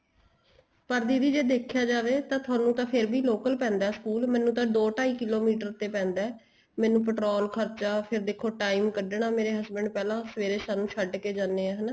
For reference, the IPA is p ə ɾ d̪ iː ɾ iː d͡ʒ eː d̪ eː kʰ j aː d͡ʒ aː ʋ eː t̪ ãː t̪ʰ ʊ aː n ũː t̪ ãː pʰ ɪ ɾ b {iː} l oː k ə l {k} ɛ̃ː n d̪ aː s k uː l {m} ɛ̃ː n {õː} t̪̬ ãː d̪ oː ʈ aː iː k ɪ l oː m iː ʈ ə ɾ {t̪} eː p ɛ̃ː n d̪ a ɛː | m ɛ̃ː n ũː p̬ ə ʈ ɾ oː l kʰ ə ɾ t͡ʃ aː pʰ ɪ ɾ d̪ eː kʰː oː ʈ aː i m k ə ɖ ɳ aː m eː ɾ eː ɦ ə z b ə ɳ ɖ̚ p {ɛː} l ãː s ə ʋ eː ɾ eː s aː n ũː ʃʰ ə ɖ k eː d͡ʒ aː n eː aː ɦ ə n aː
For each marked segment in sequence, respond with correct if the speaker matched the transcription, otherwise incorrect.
correct, incorrect: p, correct, incorrect: ũː, correct, correct

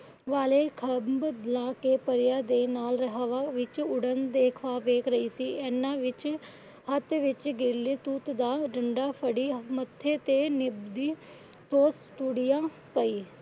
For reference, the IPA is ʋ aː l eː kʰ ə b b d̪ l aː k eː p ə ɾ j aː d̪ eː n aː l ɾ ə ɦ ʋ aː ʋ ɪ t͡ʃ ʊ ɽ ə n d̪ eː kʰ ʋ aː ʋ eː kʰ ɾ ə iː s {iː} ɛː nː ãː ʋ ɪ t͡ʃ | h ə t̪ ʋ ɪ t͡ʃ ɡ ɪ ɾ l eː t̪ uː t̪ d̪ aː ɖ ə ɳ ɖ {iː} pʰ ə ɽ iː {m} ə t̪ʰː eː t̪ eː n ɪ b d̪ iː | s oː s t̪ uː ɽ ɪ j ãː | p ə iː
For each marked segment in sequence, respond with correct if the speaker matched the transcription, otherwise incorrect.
correct, incorrect: aː, correct

